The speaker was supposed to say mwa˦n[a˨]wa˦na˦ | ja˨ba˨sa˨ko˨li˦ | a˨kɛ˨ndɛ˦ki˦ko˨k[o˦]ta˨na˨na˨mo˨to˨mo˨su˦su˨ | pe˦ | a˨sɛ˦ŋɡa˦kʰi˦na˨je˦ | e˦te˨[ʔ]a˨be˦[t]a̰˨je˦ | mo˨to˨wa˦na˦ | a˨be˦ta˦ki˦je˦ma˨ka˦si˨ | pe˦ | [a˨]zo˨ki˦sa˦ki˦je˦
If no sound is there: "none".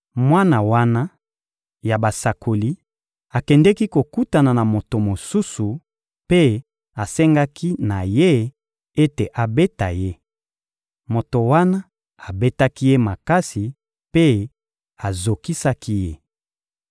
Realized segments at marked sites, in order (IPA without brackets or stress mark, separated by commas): a˨, u˦, ʔ, t, a˨